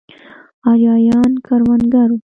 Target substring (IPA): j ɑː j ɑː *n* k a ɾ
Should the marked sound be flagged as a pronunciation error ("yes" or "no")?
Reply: no